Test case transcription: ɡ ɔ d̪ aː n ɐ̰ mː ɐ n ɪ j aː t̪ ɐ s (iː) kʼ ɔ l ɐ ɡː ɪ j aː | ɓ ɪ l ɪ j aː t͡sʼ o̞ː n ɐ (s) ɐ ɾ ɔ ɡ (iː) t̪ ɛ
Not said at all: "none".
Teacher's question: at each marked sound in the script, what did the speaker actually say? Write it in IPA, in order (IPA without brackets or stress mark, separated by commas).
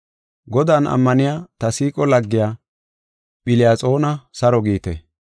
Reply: iː, s, iː